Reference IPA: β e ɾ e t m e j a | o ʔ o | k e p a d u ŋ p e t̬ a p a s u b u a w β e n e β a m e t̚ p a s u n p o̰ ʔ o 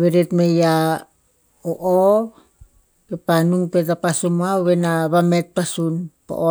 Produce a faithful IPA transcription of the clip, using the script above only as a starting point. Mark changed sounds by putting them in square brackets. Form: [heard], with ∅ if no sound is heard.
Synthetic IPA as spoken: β e ɾ e t m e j a | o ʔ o | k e p a [n] u ŋ p e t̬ a p a s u [m] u a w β e n [a] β a m e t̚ p a s u n p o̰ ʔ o